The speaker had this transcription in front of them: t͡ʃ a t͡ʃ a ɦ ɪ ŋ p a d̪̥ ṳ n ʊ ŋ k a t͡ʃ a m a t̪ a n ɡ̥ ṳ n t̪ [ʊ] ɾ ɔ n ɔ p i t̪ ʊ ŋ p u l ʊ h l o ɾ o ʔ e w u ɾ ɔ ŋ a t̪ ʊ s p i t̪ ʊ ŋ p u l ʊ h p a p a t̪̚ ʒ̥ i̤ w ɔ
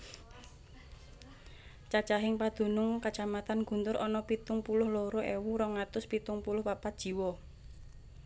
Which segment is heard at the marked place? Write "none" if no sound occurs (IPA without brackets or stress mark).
ʊ